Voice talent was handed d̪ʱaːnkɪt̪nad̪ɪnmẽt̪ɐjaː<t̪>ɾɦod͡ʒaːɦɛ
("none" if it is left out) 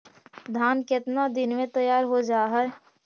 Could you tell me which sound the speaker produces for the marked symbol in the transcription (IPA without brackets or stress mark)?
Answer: none